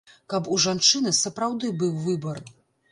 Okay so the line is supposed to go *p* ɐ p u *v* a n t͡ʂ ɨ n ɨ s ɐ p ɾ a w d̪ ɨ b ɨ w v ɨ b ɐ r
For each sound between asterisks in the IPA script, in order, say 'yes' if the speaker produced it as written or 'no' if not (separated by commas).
no, no